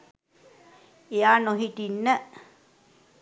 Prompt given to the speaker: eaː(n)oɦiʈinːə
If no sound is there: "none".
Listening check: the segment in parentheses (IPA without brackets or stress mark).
n